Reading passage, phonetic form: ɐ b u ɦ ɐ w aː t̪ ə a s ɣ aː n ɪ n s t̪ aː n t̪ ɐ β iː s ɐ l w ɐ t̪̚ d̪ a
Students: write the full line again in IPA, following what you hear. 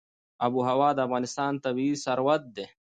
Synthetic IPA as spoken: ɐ b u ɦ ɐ w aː d̪ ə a f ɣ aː n ɪ s t̪ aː n t̪ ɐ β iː s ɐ ɾ w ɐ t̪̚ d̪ e